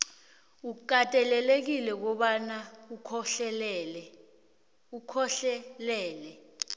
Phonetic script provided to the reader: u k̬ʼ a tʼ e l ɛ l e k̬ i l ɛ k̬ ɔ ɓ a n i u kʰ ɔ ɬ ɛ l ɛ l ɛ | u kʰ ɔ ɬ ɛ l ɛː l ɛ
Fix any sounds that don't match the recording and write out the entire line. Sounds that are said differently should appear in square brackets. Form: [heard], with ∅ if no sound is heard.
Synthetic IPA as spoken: u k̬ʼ a tʼ [ɛ] l ɛ l e k̬ i l ɛ k̬ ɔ ɓ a n [a] u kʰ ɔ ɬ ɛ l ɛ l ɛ | u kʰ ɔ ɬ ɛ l ɛː l ɛ